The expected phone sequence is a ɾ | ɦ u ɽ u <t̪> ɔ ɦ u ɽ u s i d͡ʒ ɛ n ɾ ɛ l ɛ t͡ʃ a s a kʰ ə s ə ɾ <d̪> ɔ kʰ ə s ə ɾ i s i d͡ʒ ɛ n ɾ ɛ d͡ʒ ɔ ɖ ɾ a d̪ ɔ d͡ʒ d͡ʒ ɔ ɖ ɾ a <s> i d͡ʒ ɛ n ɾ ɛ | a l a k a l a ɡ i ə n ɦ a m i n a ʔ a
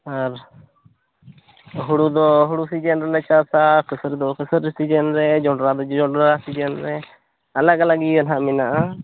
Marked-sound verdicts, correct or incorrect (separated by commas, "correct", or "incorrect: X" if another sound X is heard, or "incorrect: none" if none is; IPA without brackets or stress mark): incorrect: d̪, correct, correct